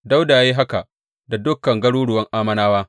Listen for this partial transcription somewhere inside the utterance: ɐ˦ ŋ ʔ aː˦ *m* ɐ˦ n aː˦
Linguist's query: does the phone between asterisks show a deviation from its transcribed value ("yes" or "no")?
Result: no